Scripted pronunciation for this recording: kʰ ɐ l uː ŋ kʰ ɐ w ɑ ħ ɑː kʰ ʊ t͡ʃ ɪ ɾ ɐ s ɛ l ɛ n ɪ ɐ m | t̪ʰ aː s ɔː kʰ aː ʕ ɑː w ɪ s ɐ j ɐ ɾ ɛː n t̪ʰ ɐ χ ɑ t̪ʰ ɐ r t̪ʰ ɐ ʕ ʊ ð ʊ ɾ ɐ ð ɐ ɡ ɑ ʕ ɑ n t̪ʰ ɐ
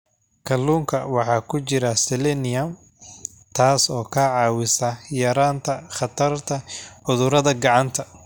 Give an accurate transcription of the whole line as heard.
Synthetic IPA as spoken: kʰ ɐ l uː ŋ kʰ ɐ w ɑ ħ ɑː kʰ ʊ t͡ʃ ɪ ɾ ɐ s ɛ l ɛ n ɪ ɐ m | t̪ʰ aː s ɔː kʰ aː ʕ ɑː w ɪ s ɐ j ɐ ɾ aː n t̪ʰ ɐ χ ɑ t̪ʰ ɐ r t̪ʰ ɐ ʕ ʊ ð ʊ ɾ ɐ ð ɐ ɡ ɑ ʕ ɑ n t̪ʰ ɐ